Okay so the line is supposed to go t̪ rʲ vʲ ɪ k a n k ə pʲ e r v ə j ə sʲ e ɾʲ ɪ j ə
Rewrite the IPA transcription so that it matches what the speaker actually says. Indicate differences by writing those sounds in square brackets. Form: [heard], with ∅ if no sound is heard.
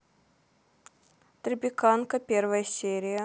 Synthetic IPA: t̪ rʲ [bʲ] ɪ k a n k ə pʲ e r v ə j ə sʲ e ɾʲ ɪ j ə

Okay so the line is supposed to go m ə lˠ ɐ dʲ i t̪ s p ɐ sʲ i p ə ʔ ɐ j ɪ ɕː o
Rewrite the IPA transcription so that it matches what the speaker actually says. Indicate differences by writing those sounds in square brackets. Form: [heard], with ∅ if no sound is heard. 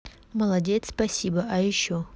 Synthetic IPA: m ə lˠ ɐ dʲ [e] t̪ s p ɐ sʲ i [b] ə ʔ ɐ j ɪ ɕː o

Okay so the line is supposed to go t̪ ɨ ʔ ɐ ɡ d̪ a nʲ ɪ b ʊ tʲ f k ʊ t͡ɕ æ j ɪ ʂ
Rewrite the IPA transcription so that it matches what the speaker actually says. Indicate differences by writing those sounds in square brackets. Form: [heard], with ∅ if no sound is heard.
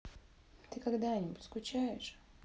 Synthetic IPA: t̪ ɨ [k] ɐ ɡ d̪ a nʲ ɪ b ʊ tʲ [s] k ʊ t͡ɕ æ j ɪ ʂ

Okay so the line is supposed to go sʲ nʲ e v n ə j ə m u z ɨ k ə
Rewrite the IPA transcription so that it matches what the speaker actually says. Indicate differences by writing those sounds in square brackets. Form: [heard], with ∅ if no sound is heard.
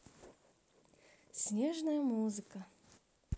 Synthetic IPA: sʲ nʲ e [ʐ] n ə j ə m u z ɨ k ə

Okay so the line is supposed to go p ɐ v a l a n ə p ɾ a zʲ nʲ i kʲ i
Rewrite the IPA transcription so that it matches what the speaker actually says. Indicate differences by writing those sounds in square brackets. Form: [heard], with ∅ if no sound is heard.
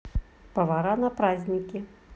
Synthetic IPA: p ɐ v a [ɾ] a n [ɐ] p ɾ a zʲ nʲ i kʲ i

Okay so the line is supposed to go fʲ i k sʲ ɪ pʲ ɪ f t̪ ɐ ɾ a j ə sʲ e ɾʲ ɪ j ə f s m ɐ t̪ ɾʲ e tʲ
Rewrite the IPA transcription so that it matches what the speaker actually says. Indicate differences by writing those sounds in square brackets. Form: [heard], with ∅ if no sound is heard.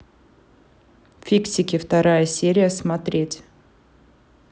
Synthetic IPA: fʲ i k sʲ ɪ [kʲ] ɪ f t̪ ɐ ɾ a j ə sʲ e ɾʲ ɪ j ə [∅] s m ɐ t̪ ɾʲ e tʲ

